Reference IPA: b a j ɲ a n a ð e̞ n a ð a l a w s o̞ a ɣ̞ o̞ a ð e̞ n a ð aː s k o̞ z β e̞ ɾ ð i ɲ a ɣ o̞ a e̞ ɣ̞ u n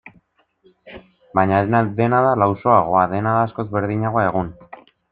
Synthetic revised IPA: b a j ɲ a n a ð e̞ n a ð a l a w s o̞ a ɣ̞ o̞ a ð e̞ n a ð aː s k o̞ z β e̞ ɾ ð i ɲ a ɣ o̞ a e̞ ɣ̞ u n

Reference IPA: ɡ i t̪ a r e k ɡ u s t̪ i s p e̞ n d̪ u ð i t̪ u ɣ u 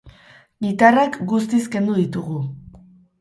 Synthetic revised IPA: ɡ i t̪ a r a k ɡ u s t̪ i s k e̞ n d̪ u ð i t̪ u ɣ u

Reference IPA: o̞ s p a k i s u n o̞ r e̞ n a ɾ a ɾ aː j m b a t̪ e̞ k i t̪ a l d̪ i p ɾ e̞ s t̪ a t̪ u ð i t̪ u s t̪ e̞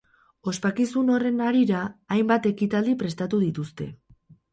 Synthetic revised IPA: o̞ s p a k i s u n o̞ r e̞ n a ɾ i ɾ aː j m b a t̪ e̞ k i t̪ a l d̪ i p ɾ e̞ s t̪ a t̪ u ð i t̪ u s t̪ e̞

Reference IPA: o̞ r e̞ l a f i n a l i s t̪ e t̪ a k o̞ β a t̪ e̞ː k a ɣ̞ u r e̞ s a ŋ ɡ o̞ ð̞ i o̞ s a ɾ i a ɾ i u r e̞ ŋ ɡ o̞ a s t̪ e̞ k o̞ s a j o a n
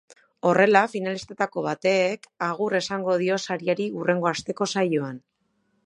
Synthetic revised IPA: o̞ r e̞ l a f i n a l i s t̪ e t̪ a k o̞ β a t̪ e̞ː k a ɣ̞ u r e̞ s a ŋ ɡ o̞ ð̞ i o̞ s a ɾ i a ɾ i u r e̞ ŋ ɡ o̞ a s t̪ e̞ k o̞ s a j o a n

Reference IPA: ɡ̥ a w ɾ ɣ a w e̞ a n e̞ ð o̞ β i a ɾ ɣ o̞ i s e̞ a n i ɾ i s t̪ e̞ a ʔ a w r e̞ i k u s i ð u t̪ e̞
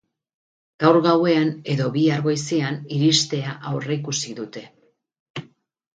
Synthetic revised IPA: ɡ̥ a w ɾ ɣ a w e̞ a n e̞ ð o̞ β i a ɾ ɣ o̞ j s e̞ a n i ɾ i s t̪ e̞ a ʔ a w r e̞ i k u s i ð u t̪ e̞

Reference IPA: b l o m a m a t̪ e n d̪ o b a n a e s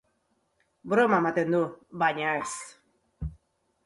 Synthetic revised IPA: b ɾ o m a m a t̪ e n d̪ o b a ɲ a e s

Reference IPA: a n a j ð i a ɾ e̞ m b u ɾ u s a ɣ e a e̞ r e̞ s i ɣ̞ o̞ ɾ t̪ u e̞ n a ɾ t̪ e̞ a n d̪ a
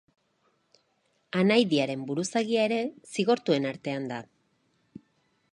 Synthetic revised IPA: a n a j ð i a ɾ e̞ m b u ɾ u s a ɣ i a e̞ ɾ e̞ s i ɣ̞ o̞ ɾ t̪ u e̞ n a ɾ t̪ e̞ a n d̪ a

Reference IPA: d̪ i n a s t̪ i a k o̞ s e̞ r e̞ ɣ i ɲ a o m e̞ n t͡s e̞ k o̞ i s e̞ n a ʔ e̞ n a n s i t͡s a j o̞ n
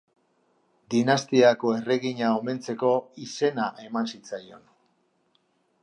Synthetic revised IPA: d̪ i n a s t̪ i a k o̞ e̞ r e̞ ɣ i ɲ a o m e̞ n t͡s e̞ k o̞ i s e̞ n a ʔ e̞ m a n s i t͡s a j o̞ n

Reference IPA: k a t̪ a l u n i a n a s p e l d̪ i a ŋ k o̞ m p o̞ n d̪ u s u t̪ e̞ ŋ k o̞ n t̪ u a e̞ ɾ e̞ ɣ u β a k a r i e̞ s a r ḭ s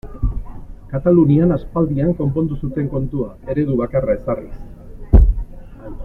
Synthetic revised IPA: k a t̪ a l u n i a n a s p a l d̪ i a ŋ k o̞ m p o̞ n d̪ u s u t̪ e̞ ŋ k o̞ n t̪ u a e̞ ɾ e̞ ð u β a k a r a e̞ s a r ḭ s

